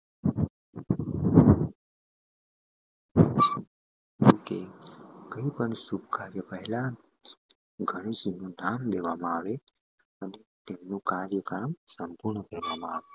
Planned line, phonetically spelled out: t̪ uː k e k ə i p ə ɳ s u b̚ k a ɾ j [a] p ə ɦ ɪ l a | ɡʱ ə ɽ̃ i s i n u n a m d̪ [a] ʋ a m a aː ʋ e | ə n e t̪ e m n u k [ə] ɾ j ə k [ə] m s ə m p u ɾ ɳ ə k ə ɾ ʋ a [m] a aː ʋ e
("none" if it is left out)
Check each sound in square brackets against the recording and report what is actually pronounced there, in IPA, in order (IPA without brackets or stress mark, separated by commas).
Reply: ə, e, a, a, m